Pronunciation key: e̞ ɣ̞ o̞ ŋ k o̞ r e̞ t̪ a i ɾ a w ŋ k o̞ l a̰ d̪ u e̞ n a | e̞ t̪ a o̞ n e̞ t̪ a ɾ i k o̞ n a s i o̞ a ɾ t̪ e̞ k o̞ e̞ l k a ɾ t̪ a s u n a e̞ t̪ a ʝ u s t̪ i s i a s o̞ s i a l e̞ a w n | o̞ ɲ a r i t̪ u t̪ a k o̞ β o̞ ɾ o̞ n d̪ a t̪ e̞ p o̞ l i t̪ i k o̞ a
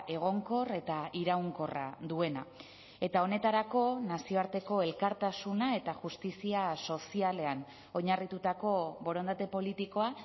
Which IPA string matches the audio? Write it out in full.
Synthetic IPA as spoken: e̞ ɣ̞ o̞ ŋ k o̞ r e̞ t̪ a i ɾ a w ŋ k o̞ r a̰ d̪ u e̞ n a | e̞ t̪ a o̞ n e̞ t̪ a ɾ a k o̞ n a s i o̞ a ɾ t̪ e̞ k o̞ e̞ l k a ɾ t̪ a s u n a e̞ t̪ a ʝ u s t̪ i s i a s o̞ s i a l e̞ a n | o̞ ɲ a r i t̪ u t̪ a k o̞ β o̞ ɾ o̞ n d̪ a t̪ e̞ p o̞ l i t̪ i k o̞ a